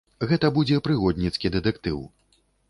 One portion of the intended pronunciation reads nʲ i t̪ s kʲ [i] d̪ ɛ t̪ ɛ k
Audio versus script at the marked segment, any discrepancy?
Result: no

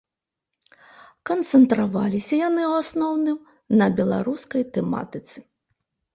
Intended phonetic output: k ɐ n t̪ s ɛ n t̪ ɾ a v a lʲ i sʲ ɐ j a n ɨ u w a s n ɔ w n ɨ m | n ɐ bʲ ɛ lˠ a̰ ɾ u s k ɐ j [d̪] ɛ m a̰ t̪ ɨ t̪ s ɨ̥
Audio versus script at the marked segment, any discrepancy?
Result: yes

